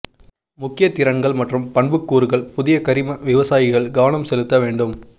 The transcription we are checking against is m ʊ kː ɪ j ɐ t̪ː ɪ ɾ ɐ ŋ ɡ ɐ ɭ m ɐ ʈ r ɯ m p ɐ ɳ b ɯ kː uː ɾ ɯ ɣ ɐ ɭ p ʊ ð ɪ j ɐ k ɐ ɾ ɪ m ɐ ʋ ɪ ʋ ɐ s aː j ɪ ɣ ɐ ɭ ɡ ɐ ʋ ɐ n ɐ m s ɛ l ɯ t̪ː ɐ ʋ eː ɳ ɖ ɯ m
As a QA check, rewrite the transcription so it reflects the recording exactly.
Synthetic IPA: m ʊ kː ɪ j ɐ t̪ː ɪ ɾ ɐ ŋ ɡ ɐ ɭ m ɐ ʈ r ɯ m p ɐ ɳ b ɯ kː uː ɾ ɯ ɣ ɐ ɭ p ʊ ð ɪ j ɐ k ɐ ɾ ɪ m ɐ ʋ ɪ ʋ ɐ s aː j ɪ ɣ ɐ ɭ ɡ ɐ ʋ ɐ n ɐ m s ɛ l ɯ t̪ː ɐ ʋ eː ɳ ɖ ɯ m